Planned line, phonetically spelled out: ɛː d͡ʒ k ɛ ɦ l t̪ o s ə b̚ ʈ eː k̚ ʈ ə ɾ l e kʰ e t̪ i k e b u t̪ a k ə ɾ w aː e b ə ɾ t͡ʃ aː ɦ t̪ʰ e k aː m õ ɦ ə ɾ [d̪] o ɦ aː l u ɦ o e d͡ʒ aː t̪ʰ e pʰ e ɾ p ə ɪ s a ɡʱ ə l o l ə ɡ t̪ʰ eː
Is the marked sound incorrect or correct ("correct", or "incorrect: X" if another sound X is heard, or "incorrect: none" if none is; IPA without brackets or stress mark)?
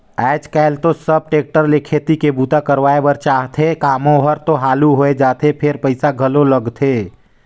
incorrect: t̪